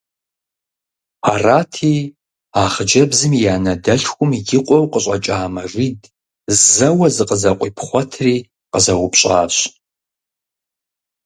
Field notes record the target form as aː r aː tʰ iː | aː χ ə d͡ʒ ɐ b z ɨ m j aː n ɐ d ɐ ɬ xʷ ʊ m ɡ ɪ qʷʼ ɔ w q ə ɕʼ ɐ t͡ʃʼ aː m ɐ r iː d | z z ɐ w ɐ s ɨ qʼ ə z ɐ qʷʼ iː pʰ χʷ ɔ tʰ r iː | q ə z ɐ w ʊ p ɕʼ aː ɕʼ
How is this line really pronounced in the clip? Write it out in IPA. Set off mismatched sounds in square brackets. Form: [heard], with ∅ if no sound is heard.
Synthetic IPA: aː r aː tʰ iː | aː χ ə d͡ʒ ɐ b z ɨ m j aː n ɐ d ɐ ɬ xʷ ʊ m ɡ ɪ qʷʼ ɔ w q ə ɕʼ ɐ t͡ʃʼ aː m ɐ r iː d | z z ɐ w ɐ [z] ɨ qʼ ə z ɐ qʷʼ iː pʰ χʷ ɔ tʰ r iː | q ə z ɐ w ʊ p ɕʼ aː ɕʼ